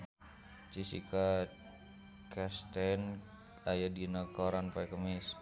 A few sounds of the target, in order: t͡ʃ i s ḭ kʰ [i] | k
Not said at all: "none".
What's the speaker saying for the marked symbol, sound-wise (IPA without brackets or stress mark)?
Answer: a